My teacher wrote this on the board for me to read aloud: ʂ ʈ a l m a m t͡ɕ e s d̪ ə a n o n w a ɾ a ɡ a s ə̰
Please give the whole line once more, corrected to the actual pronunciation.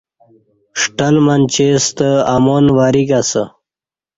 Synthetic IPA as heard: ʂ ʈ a l m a n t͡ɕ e s t̪ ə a m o n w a ɾ i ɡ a s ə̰